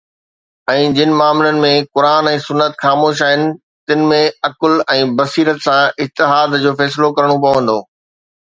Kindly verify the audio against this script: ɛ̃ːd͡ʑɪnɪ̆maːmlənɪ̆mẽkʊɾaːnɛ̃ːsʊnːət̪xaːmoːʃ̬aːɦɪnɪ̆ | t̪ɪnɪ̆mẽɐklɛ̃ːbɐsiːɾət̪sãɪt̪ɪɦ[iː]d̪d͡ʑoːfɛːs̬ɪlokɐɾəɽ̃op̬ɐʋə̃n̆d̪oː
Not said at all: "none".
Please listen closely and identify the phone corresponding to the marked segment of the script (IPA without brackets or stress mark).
aː